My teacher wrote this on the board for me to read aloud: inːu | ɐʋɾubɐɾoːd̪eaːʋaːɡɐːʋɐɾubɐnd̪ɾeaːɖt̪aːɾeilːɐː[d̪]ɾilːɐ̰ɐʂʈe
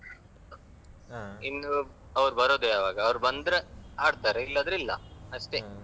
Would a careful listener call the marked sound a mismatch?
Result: no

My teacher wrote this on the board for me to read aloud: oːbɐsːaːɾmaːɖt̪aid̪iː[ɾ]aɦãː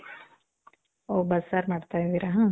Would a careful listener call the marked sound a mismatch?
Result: no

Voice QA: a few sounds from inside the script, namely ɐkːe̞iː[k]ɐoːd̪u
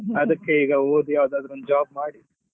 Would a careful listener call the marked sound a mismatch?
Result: yes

